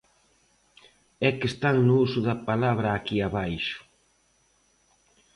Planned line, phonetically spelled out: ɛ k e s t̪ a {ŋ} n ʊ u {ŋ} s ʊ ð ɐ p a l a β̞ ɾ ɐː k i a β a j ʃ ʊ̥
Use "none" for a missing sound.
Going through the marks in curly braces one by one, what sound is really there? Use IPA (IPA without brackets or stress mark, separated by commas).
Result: ŋ, none